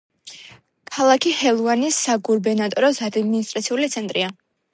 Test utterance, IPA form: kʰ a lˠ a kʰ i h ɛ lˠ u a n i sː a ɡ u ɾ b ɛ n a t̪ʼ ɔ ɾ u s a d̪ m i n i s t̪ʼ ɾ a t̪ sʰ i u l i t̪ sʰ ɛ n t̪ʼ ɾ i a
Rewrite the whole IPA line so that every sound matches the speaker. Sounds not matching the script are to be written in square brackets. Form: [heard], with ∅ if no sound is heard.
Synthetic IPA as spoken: kʰ a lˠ a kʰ i h ɛ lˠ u a n i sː a ɡ u ɾ b ɛ n a t̪ʼ ɔ ɾ [ɔ] s a d̪ m i n i s t̪ʼ ɾ a t̪ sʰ i u l i t̪ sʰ ɛ n t̪ʼ ɾ i a